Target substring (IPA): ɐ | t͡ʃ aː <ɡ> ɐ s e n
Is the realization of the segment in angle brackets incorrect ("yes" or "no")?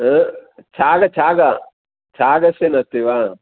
no